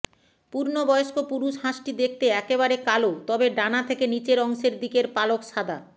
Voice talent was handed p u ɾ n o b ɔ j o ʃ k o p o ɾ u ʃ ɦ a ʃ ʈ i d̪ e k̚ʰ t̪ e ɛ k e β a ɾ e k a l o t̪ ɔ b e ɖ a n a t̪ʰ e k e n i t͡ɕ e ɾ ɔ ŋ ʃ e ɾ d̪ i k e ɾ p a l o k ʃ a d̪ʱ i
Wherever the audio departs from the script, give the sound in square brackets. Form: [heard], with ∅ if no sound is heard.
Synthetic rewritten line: p u ɾ n o b ɔ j o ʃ k o p [u] ɾ u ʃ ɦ a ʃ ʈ i d̪ e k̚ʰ t̪ e ɛ k e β a ɾ e k a l o t̪ ɔ b e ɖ a n a t̪ʰ e k e n i t͡ɕ e ɾ ɔ ŋ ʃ e ɾ d̪ i k e ɾ p a l o k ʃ a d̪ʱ [a]